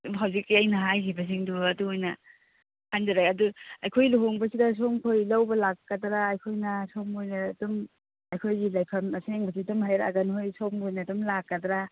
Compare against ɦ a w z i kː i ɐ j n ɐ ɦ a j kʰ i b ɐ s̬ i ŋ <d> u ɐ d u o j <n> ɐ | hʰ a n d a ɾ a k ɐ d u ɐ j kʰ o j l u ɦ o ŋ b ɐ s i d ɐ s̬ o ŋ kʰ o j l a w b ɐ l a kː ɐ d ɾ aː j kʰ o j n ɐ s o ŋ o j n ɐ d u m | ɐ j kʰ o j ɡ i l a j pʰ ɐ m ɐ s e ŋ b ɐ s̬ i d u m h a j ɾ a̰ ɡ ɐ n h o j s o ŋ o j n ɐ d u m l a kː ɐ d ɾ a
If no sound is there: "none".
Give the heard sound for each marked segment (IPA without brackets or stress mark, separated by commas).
d, n